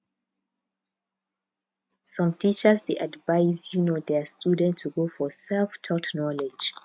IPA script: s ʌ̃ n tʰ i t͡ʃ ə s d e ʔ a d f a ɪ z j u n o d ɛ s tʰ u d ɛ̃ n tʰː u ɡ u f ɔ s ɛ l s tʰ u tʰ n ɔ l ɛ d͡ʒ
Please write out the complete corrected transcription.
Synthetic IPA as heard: s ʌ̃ m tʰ i t͡ʃ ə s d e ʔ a d v a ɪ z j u n o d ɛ s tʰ u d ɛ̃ n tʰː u ɡ o f ɔ s ɛ l f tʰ ɔ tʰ n ɔ l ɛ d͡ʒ